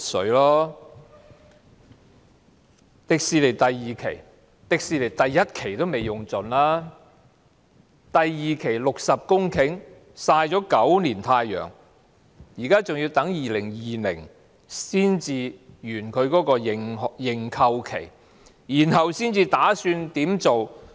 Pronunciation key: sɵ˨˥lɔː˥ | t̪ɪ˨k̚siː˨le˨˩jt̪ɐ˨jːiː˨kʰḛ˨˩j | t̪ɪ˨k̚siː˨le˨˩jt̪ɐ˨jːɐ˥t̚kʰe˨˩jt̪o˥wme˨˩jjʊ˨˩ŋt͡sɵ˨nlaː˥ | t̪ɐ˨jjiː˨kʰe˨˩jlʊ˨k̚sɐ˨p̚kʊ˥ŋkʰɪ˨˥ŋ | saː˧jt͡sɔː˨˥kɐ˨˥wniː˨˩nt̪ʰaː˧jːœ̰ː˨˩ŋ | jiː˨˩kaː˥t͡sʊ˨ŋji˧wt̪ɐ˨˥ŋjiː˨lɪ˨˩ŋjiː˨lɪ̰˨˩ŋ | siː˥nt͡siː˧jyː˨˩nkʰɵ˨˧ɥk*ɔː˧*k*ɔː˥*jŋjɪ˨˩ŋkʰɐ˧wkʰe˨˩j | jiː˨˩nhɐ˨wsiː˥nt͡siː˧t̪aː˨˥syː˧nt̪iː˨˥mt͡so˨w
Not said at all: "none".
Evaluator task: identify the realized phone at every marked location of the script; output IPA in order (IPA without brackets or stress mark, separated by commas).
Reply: ɔː˨˥, ɔː˧